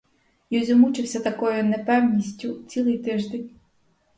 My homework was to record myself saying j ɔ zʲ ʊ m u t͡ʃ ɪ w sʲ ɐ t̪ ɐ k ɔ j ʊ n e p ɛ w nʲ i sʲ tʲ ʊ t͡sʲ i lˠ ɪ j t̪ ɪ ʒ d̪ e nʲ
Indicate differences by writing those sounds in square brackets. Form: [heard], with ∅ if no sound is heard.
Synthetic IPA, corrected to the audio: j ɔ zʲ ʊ m u t͡ʃ ɪ w sʲ ɐ t̪ ɐ k ɔ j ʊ n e p ɛ w nʲ i sʲ tʲ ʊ t͡sʲ i lˠ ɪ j t̪ ɪ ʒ d̪ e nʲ